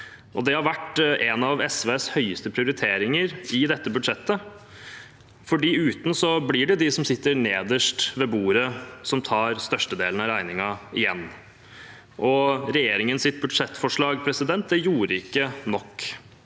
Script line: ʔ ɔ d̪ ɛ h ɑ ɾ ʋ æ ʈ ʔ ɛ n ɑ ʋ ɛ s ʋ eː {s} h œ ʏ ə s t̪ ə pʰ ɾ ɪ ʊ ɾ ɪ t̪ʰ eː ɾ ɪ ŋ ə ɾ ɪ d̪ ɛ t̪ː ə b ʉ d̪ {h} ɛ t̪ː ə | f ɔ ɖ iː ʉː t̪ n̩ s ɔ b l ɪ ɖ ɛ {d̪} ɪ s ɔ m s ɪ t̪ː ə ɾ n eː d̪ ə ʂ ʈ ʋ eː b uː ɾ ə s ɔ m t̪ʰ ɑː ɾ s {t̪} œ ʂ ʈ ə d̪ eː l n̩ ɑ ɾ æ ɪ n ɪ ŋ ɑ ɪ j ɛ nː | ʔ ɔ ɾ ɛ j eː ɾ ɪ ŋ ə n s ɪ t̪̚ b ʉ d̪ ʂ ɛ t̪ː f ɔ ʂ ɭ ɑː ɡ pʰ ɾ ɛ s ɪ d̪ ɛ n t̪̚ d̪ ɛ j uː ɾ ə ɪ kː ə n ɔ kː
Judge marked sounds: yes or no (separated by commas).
yes, no, yes, yes